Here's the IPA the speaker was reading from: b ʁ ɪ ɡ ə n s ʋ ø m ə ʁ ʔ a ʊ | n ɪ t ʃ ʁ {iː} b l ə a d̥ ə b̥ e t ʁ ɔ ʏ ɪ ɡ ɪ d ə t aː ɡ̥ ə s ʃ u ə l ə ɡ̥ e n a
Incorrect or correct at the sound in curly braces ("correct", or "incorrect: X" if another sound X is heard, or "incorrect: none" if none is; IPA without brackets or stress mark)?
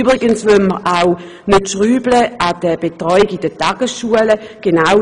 incorrect: yː